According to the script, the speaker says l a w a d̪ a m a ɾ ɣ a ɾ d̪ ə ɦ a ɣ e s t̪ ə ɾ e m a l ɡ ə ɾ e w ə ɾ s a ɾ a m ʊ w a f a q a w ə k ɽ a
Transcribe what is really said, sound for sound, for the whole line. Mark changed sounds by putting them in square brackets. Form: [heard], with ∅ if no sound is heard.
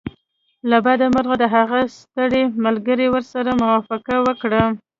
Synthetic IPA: l a [b] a d̪ a m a ɾ ɣ a [∅] d̪ ə ɦ a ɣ [a] s t̪ ə [ɽ] e m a l ɡ ə ɾ e w ə ɾ s a ɾ a m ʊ w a f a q a w ə k ɽ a